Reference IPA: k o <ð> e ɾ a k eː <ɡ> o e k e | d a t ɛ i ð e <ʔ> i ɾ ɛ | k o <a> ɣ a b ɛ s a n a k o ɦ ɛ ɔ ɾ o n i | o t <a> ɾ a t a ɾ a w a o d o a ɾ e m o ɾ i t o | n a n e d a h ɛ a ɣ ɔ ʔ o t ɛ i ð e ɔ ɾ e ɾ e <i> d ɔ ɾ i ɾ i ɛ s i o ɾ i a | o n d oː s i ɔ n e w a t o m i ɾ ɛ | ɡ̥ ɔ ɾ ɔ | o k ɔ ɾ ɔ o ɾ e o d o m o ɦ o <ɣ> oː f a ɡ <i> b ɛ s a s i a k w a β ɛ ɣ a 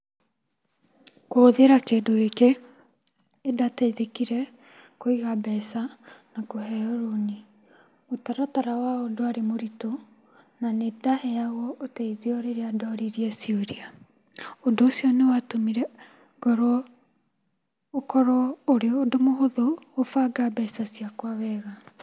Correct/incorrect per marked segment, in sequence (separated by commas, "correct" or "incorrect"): correct, incorrect, incorrect, incorrect, correct, incorrect, incorrect, incorrect